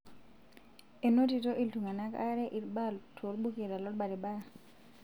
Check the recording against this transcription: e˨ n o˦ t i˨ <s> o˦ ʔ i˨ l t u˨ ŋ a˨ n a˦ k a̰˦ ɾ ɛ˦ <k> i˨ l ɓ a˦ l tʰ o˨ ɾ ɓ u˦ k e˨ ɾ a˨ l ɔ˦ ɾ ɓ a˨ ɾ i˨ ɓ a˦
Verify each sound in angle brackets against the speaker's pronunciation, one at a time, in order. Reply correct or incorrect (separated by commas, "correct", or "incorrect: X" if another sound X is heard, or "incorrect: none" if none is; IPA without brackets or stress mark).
incorrect: t, incorrect: ʔ